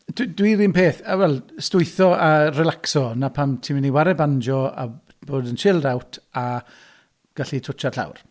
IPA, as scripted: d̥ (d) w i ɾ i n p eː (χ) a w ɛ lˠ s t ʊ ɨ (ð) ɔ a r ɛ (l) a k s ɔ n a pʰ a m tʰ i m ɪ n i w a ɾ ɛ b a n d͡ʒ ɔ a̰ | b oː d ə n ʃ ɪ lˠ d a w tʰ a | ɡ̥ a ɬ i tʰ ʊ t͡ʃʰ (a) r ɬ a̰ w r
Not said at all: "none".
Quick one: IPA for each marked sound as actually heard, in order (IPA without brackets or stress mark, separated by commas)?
d, θ, θ, l, a